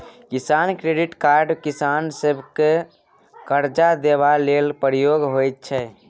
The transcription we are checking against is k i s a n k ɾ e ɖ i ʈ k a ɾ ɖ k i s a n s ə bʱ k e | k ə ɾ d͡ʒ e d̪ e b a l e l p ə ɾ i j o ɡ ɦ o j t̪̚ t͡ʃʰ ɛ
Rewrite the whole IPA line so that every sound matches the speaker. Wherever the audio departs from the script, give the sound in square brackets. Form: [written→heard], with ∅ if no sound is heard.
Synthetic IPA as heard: k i s a n k ɾ e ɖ i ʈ k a ɾ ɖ k i s a n s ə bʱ k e | k ə ɾ d͡ʒ [e→a] d̪ e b a l e l p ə ɾ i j o ɡ ɦ o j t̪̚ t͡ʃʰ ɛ